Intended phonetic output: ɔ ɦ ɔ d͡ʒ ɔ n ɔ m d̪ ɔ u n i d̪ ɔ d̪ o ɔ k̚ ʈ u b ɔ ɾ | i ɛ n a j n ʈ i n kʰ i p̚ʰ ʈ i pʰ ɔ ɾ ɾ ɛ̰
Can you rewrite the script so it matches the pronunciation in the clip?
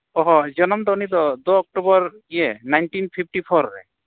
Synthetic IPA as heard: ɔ ɦ ɔ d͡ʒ ɔ n ɔ m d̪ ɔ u n i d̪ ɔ d̪ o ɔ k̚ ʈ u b ɔ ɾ | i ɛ n a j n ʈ i n pʰ i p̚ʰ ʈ i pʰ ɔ ɾ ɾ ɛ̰